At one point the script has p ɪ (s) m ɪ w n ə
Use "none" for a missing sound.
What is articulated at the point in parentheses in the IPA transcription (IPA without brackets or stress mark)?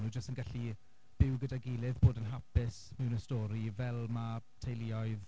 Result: s